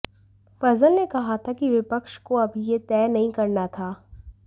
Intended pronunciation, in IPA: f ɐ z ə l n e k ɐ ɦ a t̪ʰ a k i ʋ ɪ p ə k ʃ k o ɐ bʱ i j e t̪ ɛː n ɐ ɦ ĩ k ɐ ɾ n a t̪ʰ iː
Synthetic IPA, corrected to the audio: f ɐ z ə l n e k ɐ ɦ a t̪ʰ a k i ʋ ɪ p ə k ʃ k o ɐ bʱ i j e t̪ ɛː n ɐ ɦ ĩ k ɐ ɾ n a t̪ʰ aː